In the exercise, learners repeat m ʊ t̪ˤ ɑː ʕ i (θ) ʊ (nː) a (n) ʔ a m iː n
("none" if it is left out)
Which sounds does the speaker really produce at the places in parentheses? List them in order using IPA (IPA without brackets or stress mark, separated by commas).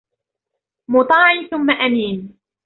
θ, mː, none